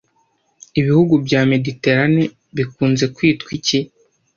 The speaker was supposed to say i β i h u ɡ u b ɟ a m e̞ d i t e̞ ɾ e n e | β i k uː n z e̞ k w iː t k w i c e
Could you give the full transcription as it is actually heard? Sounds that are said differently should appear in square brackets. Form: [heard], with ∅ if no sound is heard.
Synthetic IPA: i β i h u ɡ u b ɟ a m e̞ d i t e̞ ɾ [a] n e | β i k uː n z e̞ k w iː t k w i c [i]

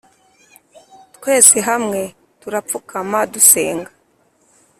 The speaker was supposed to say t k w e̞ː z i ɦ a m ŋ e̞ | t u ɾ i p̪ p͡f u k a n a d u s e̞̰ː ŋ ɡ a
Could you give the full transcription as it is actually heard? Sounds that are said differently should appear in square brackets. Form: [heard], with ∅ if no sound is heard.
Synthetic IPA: t k w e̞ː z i ɦ a m ŋ e̞ | t u ɾ [a] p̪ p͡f u k a [m] a d u s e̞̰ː ŋ ɡ a

